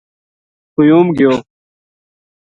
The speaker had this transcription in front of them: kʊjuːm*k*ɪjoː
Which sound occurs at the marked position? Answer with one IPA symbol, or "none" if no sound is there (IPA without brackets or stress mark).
ɡ